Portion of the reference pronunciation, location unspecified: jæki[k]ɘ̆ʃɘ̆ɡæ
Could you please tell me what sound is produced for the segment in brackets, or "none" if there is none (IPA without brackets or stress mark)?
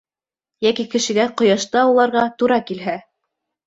k